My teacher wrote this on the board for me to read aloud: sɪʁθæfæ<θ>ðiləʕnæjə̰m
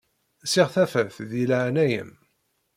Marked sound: correct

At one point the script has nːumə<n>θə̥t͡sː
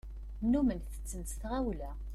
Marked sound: correct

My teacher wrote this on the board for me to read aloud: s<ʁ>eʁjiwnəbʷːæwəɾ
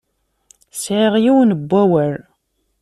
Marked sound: incorrect: ʕ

